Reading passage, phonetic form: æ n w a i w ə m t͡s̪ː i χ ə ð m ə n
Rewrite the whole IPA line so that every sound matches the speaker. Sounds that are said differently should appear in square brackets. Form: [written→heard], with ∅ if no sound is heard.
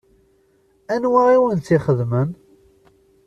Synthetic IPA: æ n w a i w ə [m→n] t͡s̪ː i χ ə ð m ə n